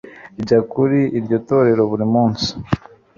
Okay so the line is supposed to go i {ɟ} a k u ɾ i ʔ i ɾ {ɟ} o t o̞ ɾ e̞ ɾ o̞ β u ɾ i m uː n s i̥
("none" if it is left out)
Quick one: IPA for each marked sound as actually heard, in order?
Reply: ɟ, ɟ

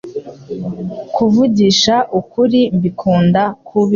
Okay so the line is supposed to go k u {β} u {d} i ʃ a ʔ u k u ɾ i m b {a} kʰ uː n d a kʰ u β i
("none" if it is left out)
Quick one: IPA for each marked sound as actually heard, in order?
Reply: v, ɟ, i

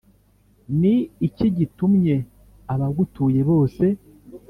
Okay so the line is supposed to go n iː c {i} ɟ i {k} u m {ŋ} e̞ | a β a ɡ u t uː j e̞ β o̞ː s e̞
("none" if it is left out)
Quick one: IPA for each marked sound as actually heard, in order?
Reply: i, t, ɲ

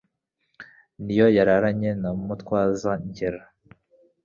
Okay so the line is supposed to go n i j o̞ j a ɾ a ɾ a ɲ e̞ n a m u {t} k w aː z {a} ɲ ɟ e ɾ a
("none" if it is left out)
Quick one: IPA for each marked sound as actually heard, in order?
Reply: t, a

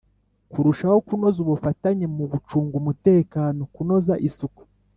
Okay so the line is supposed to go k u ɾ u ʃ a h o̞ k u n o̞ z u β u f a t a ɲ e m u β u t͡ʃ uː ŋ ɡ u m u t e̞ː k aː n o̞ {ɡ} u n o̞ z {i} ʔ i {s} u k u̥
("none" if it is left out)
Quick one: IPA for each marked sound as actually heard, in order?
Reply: k, a, s

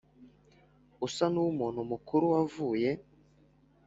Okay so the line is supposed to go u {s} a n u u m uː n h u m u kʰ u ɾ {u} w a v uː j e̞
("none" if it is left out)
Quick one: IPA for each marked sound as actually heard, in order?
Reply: s, u

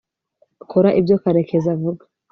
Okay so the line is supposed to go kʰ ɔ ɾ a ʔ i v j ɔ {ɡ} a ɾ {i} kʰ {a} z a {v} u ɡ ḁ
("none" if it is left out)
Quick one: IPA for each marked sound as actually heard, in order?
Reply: k, ɛ, ɛ, v

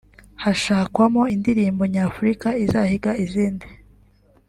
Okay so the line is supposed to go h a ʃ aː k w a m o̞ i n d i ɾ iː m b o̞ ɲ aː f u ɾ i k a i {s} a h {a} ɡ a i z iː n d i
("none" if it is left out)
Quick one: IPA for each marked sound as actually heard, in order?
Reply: z, i

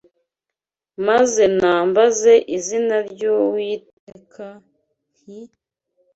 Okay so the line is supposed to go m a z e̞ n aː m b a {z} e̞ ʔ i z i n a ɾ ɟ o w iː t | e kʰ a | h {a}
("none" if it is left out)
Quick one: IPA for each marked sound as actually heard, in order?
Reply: z, i

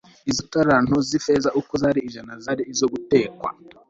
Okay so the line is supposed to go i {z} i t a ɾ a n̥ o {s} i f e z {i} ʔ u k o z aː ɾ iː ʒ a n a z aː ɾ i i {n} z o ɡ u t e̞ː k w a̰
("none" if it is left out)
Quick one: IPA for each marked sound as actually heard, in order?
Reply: z, z, a, none

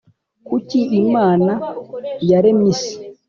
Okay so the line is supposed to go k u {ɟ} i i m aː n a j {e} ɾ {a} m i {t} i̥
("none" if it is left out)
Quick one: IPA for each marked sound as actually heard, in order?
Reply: c, a, e, s

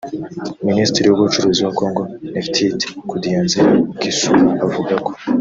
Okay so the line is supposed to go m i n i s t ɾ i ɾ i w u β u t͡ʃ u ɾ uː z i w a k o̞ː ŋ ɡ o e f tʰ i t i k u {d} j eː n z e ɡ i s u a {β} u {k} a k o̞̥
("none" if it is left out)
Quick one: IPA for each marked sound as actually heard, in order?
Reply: d, v, ɡ

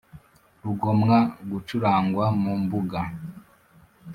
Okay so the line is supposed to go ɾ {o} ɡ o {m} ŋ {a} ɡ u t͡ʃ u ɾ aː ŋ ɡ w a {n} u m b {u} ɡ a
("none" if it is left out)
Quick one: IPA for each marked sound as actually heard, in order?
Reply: u, m, a, m, u

